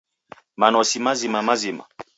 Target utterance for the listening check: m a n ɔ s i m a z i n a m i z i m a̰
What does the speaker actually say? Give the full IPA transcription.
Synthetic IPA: m a n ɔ s i m a z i m a m a z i m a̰